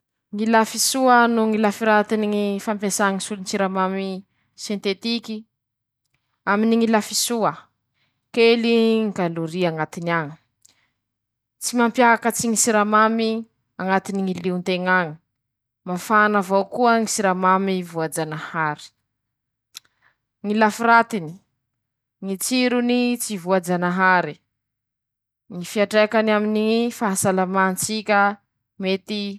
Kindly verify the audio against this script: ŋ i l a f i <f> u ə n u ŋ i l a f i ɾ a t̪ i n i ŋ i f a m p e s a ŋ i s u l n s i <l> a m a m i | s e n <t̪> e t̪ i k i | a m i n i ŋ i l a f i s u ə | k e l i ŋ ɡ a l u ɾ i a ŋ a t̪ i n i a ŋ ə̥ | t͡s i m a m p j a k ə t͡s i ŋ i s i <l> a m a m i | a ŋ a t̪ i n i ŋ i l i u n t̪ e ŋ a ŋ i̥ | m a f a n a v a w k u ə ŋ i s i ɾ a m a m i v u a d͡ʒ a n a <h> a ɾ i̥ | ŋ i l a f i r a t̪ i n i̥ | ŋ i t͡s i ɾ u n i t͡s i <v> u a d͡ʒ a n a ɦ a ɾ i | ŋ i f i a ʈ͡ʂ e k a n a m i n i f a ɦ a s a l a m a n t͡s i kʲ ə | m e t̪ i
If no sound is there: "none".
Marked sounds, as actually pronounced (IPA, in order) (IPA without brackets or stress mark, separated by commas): s, ɾ, t̪, ɾ, h, v